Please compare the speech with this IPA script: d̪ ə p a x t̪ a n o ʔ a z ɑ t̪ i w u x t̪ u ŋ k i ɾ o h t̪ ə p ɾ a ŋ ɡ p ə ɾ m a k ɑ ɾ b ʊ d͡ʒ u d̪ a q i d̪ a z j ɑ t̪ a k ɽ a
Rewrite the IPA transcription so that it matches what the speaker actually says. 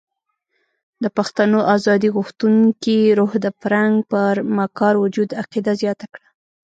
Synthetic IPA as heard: d̪ ə p a x t̪ a n o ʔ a z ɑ d̪ i ɣ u x t̪ u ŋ k i ɾ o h d̪ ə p ɾ a ŋ ɡ p ə ɾ m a k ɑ ɾ w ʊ d͡ʒ u d̪ a q i d̪ a z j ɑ t̪ a k ɽ a